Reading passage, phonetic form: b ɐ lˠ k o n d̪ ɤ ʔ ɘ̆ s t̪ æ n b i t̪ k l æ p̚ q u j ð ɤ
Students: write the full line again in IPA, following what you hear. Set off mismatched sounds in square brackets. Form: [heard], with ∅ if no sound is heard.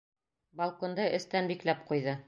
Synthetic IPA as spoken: b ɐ lˠ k o n d̪ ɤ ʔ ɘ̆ s t̪ æ n b i [∅] k l æ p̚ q u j ð ɤ